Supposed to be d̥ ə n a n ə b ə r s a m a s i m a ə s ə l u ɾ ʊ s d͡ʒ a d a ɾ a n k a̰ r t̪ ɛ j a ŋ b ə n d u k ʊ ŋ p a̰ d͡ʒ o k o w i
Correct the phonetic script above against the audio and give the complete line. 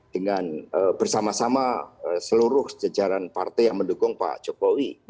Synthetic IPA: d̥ ə ŋ a n ə b ə r s a m a s a m a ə s ə l u ɾ ʊ h d͡ʒ a d͡ʒ a ɾ a n p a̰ r t̪ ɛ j a ŋ m ə n d u k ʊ ŋ p a̰ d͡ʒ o k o w i